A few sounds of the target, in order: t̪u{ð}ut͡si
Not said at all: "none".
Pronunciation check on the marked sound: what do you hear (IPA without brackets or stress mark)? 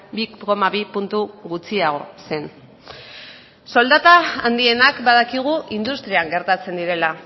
ɣ